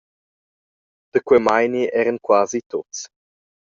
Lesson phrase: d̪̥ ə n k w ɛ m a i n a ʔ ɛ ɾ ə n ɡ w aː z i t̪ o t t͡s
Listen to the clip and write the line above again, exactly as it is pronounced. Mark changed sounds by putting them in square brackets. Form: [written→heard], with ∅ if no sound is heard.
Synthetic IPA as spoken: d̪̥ ə [n→∅] k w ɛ m a [i→j] n [a→i] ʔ ɛ ɾ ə n [ɡ→k] w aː z i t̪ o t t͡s